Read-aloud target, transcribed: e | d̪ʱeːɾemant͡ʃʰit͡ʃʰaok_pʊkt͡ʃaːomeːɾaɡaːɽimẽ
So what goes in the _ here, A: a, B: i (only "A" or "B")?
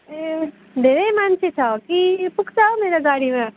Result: B